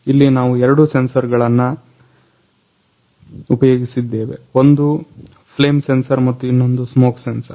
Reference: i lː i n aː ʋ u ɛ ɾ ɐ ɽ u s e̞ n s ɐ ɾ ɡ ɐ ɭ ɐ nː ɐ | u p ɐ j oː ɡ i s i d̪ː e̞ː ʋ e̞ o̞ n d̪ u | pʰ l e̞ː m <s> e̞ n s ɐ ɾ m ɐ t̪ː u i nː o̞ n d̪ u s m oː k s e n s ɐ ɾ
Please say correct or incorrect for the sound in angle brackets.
correct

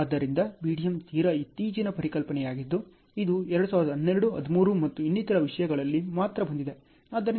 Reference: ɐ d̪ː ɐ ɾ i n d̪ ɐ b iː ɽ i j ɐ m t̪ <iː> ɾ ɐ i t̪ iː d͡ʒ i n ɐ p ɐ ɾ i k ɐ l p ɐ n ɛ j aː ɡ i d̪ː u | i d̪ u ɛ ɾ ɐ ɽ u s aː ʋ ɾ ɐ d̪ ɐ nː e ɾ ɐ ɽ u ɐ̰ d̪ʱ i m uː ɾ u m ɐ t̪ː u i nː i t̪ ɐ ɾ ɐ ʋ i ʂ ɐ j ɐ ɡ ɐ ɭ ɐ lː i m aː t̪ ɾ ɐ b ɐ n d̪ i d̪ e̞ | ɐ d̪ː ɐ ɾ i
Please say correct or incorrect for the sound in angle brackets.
correct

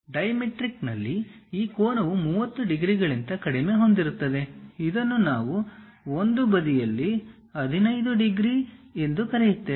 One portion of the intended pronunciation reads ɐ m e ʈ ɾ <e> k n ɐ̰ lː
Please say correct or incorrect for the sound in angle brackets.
incorrect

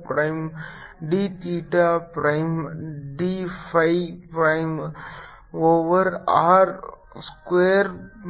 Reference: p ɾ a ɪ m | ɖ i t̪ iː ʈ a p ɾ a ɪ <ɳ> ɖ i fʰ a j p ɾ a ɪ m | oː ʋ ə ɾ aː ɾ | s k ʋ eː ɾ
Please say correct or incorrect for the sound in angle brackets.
incorrect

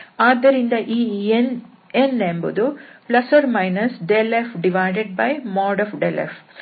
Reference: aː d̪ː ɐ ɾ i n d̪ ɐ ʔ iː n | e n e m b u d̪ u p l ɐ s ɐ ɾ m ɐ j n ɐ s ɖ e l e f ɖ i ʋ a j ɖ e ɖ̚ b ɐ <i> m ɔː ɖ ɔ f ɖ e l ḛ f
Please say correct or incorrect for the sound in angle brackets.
incorrect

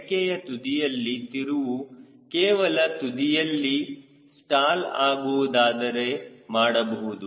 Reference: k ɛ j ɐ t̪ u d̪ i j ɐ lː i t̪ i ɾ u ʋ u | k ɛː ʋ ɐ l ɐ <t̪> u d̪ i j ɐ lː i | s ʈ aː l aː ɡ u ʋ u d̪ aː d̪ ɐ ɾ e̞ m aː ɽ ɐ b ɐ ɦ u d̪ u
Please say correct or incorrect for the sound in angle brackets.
correct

